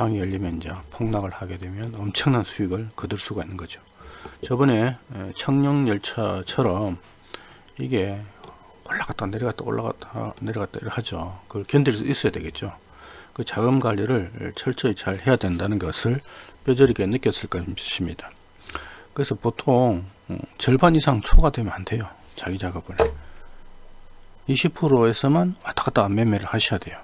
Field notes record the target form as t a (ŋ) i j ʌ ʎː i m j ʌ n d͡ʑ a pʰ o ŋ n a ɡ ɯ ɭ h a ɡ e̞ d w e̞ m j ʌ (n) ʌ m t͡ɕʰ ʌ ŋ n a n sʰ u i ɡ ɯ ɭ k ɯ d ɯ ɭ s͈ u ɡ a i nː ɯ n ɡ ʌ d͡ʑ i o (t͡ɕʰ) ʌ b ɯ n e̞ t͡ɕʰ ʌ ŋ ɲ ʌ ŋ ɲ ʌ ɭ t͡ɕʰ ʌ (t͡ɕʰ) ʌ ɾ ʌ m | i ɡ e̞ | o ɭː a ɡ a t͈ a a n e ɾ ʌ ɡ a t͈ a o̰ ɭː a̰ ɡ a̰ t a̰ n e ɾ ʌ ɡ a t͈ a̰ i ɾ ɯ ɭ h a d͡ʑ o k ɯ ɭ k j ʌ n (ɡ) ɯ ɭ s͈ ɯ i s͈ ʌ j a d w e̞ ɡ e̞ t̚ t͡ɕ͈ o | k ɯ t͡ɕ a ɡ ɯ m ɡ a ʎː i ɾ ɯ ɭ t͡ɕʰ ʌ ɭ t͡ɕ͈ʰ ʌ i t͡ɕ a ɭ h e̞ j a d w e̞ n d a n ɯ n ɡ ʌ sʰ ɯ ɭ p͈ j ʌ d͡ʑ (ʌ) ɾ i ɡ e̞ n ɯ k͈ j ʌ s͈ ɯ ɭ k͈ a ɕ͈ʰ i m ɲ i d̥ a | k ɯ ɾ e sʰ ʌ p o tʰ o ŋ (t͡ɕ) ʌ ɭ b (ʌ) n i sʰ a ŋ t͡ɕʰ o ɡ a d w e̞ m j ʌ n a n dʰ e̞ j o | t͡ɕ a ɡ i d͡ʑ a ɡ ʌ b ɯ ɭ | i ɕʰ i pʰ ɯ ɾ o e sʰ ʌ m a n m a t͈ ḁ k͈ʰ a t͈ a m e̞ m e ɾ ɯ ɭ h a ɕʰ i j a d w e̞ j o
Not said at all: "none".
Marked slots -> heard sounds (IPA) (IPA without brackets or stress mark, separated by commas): ŋ, n, t͡ɕ, t͡ɕʰ, d, ʌ, t͡ɕ, a